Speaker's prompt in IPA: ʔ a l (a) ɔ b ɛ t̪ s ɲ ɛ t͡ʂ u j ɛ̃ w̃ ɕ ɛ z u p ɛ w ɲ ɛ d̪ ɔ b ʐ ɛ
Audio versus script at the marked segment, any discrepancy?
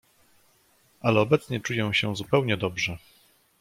yes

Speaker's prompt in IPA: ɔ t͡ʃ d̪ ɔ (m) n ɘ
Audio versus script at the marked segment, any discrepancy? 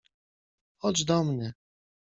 no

